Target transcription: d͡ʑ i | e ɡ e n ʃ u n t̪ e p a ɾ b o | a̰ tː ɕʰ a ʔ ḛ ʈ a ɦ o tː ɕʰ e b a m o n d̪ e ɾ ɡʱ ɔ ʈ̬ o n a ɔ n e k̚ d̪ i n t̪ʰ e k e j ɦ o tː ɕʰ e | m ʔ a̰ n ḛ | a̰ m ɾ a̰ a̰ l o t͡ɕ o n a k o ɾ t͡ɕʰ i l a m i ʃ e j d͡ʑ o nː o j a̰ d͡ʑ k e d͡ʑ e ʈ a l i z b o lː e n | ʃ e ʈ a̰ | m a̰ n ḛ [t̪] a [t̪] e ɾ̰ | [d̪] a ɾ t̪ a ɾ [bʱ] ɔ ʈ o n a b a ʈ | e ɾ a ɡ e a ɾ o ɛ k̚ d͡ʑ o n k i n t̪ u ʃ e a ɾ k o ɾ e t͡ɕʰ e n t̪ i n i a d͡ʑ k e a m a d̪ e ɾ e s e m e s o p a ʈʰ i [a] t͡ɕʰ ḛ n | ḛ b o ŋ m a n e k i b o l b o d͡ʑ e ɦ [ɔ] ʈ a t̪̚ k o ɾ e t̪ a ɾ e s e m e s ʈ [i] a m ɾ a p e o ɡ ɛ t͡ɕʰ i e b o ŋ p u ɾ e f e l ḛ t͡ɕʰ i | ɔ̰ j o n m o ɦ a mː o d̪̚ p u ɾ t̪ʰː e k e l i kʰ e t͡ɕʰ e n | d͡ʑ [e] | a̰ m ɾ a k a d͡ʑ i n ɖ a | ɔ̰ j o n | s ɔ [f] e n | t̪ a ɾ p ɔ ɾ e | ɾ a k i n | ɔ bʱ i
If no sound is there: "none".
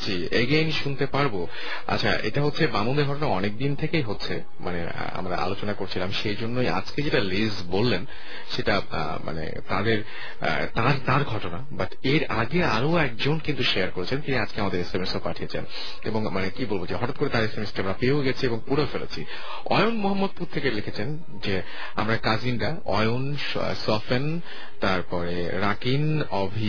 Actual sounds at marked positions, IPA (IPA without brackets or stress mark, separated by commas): t̪, d̪, t̪, ɡʱ, e, ɔ, i, e, f